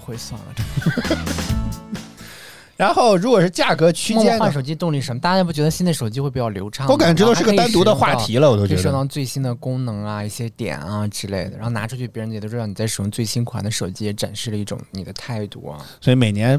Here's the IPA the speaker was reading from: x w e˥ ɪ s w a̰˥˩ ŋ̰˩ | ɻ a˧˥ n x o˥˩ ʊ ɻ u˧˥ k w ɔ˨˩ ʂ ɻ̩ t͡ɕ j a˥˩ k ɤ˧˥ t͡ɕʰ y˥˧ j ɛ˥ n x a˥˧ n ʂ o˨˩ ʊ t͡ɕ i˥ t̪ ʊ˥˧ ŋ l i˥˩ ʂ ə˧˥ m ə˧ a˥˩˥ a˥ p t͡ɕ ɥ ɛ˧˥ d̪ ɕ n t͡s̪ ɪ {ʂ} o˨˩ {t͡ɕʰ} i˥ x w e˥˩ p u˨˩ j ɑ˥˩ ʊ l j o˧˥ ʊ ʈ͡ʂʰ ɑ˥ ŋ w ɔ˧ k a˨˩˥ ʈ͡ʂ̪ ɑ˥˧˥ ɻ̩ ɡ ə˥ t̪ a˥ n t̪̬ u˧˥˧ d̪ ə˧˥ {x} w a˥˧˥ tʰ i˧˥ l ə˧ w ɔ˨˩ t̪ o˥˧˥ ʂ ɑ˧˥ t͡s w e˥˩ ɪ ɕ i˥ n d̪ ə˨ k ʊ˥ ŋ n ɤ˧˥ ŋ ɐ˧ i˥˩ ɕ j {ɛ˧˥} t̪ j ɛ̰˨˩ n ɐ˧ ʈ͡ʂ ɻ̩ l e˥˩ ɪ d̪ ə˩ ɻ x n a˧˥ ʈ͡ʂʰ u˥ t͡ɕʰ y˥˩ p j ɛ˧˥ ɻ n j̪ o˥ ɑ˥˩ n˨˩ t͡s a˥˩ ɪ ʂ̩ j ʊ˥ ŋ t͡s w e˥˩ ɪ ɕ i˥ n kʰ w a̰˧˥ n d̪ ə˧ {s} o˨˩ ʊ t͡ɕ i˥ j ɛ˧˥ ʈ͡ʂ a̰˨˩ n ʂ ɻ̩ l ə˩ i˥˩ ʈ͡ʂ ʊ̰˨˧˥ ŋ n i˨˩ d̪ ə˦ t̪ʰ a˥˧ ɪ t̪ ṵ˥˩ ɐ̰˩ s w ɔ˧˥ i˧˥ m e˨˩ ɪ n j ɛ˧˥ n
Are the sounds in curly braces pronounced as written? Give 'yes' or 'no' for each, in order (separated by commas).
yes, no, yes, no, no